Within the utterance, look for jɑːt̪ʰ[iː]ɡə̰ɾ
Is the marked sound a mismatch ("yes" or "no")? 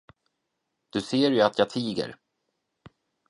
no